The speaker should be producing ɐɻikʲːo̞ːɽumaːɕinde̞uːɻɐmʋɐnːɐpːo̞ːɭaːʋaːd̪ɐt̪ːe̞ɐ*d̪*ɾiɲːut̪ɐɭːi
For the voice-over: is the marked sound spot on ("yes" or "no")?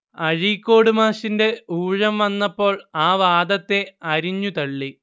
no